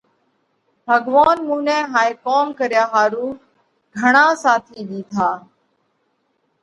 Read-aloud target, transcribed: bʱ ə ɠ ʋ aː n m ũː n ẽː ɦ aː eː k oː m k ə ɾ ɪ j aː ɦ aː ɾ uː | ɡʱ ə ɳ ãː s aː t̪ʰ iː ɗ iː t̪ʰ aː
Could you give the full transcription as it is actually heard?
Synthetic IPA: bʱ ə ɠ ʋ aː n m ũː n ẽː ɦ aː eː k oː m k ə ɾ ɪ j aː ɦ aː ɾ uː | ɡʱ ə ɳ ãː s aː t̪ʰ iː ɗ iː t̪ʰ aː